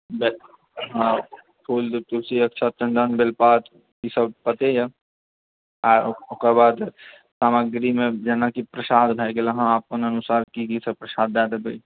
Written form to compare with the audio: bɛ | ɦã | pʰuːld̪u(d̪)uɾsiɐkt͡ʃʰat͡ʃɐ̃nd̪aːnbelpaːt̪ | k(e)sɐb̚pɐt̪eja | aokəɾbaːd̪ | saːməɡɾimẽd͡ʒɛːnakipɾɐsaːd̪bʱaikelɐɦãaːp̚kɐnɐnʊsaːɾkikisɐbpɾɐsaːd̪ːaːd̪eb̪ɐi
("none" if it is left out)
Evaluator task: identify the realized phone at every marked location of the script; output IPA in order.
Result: t̪, i

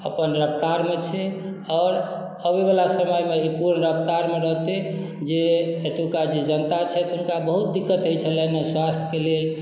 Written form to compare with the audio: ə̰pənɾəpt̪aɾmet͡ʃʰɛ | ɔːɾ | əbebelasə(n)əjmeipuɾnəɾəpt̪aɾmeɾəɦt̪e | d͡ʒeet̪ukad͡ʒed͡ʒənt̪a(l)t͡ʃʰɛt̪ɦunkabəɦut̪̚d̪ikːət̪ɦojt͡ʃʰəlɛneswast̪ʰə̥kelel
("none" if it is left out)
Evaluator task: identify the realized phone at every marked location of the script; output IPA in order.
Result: m, none

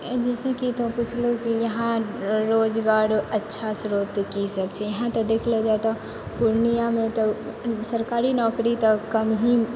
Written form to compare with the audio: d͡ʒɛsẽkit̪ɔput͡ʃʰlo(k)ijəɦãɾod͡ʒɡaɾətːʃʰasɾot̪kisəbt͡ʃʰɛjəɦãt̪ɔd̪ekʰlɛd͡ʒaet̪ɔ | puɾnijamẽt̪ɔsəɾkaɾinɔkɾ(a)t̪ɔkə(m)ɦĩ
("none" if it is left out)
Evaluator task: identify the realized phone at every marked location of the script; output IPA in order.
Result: k, i, m

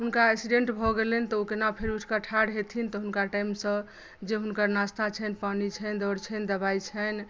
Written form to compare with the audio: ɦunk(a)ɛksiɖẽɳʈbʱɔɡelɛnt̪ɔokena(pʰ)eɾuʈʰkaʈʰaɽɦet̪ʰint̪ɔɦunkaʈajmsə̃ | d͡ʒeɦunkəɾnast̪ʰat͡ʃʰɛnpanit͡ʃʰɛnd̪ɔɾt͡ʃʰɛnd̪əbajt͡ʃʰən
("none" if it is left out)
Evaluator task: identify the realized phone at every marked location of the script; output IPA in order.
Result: a, pʰ

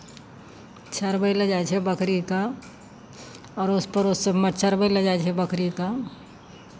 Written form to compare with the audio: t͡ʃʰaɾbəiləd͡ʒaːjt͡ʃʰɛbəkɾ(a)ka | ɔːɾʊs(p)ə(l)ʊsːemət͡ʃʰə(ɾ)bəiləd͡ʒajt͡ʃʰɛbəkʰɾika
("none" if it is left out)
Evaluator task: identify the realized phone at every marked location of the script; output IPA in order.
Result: i, p, ɾ, ɾ

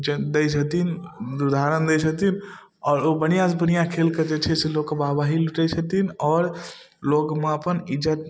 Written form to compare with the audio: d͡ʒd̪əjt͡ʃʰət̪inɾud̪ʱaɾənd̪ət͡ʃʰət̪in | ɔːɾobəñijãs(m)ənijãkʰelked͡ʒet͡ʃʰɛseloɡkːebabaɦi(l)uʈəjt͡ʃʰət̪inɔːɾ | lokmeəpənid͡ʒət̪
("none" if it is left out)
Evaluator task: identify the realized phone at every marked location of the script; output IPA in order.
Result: b, l

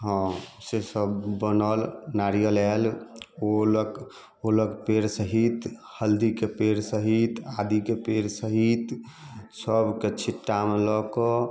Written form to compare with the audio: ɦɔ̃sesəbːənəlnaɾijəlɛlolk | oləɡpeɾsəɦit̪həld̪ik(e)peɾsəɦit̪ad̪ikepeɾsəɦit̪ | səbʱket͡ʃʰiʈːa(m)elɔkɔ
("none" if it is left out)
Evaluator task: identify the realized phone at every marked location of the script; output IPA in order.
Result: e, m

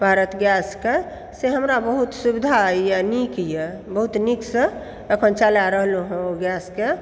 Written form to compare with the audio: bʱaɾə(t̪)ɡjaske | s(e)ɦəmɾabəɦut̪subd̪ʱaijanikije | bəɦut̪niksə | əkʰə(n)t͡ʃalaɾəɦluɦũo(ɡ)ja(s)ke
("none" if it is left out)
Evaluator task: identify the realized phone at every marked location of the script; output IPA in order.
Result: t̪, e, n, ɡ, s

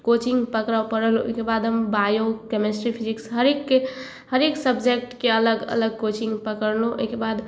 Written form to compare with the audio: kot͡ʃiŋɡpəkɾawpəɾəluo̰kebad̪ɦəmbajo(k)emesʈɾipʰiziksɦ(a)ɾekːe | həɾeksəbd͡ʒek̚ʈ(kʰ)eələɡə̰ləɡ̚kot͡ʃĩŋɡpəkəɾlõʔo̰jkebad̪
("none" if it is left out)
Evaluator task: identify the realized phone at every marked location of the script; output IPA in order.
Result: k, ə, k

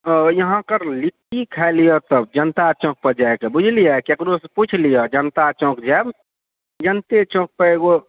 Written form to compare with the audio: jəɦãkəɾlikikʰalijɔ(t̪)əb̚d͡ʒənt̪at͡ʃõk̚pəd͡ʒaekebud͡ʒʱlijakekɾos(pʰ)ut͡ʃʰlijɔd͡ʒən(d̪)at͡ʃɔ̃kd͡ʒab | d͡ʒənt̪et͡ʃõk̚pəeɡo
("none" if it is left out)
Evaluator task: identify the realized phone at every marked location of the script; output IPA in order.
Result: t̪, p, t̪

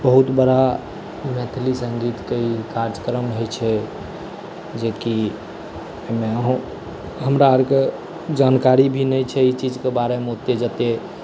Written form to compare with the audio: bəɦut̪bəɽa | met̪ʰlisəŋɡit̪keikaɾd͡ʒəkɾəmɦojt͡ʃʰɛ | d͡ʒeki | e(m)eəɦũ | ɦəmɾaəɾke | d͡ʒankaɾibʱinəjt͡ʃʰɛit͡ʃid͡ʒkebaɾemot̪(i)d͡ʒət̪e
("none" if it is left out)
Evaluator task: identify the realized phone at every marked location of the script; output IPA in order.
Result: m, e

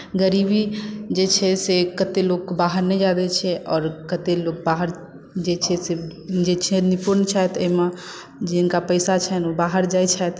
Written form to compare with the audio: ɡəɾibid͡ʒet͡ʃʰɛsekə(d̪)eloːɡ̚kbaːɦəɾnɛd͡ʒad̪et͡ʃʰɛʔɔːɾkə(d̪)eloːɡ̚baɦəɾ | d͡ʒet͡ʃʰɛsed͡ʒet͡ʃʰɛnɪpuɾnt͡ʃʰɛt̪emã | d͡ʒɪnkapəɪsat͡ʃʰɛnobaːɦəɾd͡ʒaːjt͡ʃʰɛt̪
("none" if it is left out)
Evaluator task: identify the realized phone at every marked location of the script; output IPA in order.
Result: t̪, t̪

